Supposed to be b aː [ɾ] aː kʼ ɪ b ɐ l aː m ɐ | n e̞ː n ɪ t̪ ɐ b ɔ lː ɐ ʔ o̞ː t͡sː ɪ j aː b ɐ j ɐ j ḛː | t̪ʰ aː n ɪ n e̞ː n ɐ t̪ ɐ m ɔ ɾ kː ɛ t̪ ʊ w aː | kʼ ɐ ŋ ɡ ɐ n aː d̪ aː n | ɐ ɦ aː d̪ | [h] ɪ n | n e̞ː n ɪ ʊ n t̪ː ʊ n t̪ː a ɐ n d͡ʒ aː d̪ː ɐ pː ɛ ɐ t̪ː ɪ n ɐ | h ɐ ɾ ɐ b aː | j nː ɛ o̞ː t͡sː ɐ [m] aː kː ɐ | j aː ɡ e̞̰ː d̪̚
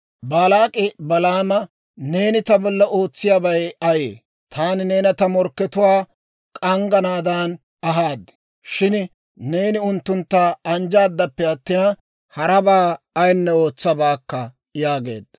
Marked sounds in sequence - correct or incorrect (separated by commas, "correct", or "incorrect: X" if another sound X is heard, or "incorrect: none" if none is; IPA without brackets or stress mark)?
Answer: incorrect: l, incorrect: ʃ, incorrect: b